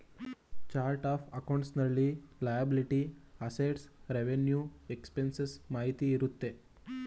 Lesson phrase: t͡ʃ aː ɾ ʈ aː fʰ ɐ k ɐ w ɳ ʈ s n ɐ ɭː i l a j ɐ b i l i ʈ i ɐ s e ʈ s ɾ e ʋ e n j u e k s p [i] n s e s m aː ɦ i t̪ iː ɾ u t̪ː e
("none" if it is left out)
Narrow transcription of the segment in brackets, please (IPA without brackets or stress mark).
e